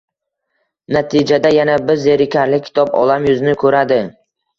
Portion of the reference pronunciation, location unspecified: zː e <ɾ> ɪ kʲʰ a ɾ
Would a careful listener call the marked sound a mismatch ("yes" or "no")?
no